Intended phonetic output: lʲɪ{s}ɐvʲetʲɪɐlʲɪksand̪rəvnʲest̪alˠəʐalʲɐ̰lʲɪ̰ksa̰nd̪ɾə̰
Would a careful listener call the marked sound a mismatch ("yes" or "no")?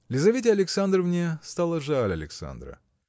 yes